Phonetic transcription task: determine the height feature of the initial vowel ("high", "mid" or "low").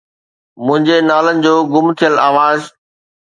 high